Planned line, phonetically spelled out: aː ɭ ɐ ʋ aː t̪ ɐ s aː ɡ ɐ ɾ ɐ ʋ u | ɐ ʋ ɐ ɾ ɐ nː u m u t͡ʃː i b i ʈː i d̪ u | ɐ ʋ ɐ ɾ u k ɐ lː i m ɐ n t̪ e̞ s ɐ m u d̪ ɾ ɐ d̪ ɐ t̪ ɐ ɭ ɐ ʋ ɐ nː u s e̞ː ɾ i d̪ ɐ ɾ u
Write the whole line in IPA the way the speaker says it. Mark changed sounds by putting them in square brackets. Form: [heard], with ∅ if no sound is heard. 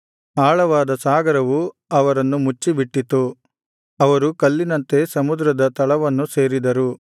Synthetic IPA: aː ɭ ɐ ʋ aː [d̪] ɐ s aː ɡ ɐ ɾ ɐ ʋ u | ɐ ʋ ɐ ɾ ɐ nː u m u t͡ʃː i b i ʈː i [t̪] u | ɐ ʋ ɐ ɾ u k ɐ lː i [n] ɐ n t̪ e̞ s ɐ m u d̪ ɾ ɐ d̪ ɐ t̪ ɐ ɭ ɐ ʋ ɐ nː u s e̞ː ɾ i d̪ ɐ ɾ u